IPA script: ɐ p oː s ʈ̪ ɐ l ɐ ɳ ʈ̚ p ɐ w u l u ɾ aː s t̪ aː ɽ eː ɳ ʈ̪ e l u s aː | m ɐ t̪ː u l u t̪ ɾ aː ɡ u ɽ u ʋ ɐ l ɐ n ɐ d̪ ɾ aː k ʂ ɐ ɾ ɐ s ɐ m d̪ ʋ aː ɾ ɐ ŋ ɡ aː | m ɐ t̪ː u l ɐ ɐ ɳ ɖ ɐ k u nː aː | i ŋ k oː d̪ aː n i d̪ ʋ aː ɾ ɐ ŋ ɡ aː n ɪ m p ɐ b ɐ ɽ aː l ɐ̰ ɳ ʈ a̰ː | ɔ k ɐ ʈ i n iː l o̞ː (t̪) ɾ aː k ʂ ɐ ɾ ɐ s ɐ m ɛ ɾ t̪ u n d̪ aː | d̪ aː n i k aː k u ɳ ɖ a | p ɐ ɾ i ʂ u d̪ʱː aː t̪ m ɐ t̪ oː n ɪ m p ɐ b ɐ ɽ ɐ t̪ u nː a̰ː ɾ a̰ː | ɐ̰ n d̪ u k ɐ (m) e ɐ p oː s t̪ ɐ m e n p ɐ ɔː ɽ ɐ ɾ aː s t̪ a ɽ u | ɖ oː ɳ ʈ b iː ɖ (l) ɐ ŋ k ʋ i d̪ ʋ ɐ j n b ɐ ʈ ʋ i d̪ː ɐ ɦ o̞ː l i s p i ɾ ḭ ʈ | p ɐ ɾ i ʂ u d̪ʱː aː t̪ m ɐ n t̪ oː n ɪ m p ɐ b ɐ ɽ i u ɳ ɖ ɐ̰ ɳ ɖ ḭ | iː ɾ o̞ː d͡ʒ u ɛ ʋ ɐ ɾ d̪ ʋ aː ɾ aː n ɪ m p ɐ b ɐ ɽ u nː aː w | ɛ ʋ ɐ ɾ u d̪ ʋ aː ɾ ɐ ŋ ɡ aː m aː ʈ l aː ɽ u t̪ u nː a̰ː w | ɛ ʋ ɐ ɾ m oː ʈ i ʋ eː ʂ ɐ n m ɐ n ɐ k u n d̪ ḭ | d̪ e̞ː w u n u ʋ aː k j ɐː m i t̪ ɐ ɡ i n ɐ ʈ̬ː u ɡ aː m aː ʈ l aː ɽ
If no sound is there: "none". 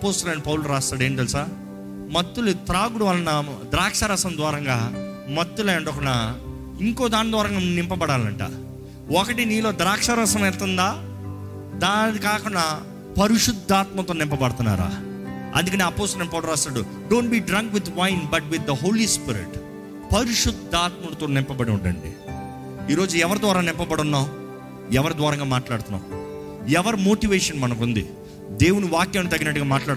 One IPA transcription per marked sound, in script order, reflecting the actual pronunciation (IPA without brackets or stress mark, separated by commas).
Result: d̪, n, ɾ